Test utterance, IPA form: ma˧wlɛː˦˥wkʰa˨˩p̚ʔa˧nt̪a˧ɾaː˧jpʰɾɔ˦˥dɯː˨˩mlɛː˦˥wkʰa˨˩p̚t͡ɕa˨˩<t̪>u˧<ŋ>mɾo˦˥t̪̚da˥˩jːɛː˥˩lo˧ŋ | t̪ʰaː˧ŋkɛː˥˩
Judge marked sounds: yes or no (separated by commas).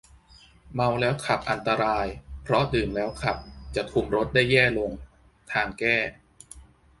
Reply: no, no